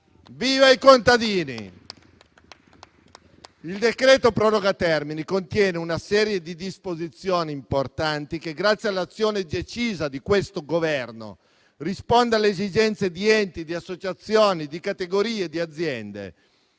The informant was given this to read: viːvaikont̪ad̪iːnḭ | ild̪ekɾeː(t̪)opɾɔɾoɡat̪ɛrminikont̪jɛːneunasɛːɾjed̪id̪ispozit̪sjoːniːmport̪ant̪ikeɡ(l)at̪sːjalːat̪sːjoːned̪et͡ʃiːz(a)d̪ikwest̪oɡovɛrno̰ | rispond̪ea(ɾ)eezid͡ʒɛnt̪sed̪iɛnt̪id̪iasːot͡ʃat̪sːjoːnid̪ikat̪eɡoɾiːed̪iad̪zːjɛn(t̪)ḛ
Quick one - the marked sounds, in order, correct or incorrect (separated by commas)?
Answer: correct, incorrect, correct, incorrect, incorrect